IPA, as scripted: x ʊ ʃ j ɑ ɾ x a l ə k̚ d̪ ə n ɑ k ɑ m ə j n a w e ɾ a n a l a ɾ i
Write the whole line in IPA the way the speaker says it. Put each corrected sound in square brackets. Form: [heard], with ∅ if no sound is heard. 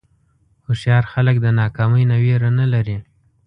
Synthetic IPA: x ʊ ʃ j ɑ ɾ x a l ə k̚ d̪ ə n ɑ k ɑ m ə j n a w e ɾ a n a l a ɾ i

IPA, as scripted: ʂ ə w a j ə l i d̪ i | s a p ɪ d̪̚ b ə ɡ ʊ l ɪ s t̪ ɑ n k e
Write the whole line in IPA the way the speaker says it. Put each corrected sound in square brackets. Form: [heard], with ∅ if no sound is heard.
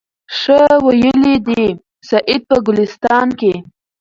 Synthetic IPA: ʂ ə w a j ə l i d̪ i | s a [ʔ] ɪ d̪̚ [p] ə ɡ ʊ l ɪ s t̪ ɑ n k e

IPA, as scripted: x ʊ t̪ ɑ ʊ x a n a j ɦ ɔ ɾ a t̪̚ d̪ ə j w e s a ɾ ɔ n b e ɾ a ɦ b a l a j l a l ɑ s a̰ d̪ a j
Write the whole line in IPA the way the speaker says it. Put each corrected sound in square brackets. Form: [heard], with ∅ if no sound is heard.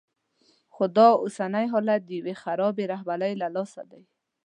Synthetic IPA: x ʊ [d̪] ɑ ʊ [s] a n a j ɦ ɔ [l] a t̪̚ d̪ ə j w e [x] a ɾ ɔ [∅] b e ɾ a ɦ b a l a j l a l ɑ s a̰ d̪ a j

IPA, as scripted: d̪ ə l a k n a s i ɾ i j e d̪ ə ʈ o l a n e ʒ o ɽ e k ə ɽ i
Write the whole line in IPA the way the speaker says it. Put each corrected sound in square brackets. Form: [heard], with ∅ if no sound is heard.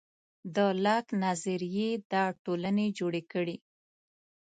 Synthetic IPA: d̪ ə l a k n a [z] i ɾ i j e d̪ [ɑ] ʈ o l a n e [d͡ʒ] o ɽ e k ə ɽ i

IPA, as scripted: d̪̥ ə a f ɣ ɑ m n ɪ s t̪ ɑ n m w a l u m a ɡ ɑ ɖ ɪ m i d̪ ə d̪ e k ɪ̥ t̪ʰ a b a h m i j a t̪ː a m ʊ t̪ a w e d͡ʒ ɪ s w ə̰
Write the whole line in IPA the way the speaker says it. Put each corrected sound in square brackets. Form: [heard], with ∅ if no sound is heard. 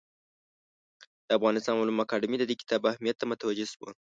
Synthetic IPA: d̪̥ ə a f ɣ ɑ [∅] n ɪ s t̪ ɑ n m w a l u m a [k] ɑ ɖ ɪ m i d̪ ə d̪ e k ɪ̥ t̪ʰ [ɑ] b a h m i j a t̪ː a m ʊ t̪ a w [a] d͡ʒ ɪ s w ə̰

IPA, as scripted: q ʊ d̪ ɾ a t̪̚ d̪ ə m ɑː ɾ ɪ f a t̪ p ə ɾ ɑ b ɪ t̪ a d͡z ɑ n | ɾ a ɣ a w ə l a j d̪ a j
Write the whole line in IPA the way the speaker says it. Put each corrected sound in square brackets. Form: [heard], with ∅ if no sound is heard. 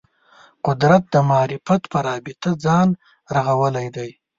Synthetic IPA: q ʊ d̪ ɾ a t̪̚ d̪ ə m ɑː ɾ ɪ f a t̪ p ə ɾ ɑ b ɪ t̪ a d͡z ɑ n | ɾ a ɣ a w ə l a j d̪ a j

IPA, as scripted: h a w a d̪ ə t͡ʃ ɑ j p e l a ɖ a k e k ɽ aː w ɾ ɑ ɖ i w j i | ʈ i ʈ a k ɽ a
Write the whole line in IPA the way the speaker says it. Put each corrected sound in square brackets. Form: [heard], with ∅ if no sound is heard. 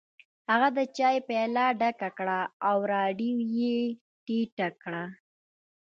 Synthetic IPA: h a [ɣ] a d̪ ə t͡ʃ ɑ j p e l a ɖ a k [a] k ɽ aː w ɾ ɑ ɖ i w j [e] | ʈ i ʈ a k ɽ a

